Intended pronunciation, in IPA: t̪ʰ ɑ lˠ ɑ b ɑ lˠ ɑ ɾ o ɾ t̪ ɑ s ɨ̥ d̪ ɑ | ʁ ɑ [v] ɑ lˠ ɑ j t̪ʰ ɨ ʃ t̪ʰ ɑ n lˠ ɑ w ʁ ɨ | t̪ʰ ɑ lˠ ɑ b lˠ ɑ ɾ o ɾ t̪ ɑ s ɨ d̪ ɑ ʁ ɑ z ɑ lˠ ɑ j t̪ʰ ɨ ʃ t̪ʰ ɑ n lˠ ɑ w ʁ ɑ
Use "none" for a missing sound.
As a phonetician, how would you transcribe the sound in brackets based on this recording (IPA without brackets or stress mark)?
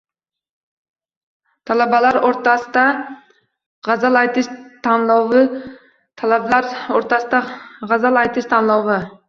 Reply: z